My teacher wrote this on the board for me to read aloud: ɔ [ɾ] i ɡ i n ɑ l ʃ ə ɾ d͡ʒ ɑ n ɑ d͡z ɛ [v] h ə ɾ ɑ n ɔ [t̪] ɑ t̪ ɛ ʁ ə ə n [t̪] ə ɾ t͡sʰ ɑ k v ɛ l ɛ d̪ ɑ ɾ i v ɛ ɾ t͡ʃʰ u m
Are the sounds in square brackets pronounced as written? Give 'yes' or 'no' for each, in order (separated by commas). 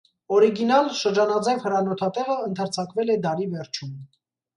yes, yes, no, no